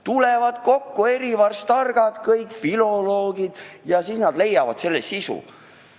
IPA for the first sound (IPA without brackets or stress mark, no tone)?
t̪